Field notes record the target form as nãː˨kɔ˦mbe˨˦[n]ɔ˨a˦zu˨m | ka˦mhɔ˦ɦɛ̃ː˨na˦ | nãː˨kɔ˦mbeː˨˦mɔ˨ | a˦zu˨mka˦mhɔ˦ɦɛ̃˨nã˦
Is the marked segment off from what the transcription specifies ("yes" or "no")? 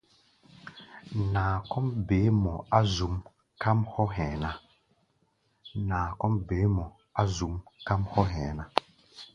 yes